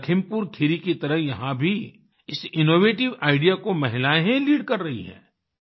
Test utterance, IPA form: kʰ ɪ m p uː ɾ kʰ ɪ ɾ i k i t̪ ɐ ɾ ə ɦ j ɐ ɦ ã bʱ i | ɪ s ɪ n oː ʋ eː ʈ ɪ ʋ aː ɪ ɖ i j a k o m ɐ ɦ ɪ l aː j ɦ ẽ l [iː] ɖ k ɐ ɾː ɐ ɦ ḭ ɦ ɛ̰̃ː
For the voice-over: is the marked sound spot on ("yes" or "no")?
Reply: yes